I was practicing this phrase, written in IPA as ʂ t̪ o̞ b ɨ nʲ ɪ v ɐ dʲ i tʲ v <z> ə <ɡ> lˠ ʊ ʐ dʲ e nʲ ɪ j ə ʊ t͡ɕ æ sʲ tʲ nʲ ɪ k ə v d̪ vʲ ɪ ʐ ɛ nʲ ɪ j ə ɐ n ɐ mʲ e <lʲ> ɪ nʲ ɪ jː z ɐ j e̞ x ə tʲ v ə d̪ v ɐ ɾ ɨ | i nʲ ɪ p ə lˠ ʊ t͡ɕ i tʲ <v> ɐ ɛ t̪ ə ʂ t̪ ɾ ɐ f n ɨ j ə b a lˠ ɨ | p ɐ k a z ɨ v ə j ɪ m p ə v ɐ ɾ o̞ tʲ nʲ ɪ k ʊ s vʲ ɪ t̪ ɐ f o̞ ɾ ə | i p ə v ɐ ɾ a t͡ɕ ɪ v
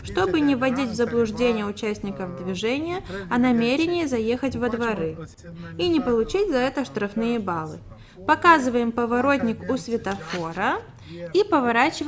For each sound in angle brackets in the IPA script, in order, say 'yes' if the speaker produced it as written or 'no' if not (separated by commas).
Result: yes, no, no, no